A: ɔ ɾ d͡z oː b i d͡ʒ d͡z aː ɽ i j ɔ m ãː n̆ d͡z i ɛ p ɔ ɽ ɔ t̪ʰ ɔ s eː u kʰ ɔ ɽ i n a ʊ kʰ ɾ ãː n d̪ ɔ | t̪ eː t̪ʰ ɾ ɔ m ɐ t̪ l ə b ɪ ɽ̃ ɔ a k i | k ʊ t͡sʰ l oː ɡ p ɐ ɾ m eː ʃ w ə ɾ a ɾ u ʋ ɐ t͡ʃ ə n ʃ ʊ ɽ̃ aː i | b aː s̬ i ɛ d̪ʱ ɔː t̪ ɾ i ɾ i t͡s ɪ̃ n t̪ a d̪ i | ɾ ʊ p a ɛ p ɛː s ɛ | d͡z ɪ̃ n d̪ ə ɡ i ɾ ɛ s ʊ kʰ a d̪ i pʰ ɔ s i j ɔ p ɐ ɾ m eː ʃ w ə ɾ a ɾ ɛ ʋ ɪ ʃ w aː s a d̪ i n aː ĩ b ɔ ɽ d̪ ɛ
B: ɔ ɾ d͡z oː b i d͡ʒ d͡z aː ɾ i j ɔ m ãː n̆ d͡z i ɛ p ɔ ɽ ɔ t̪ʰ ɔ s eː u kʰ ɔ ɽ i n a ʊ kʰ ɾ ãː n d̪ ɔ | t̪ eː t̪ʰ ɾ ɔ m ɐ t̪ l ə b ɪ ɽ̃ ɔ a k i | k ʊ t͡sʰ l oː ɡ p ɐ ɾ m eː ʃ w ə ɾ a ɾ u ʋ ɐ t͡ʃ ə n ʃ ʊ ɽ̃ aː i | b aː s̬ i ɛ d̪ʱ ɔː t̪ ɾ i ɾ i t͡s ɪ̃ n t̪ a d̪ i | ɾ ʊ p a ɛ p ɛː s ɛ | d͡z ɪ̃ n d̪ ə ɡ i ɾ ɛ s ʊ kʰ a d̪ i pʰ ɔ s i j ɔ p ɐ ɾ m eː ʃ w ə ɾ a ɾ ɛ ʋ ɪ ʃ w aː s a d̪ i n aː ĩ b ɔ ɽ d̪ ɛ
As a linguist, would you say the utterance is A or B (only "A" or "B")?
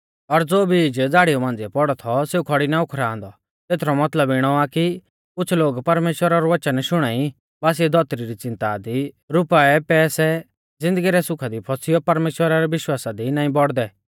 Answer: A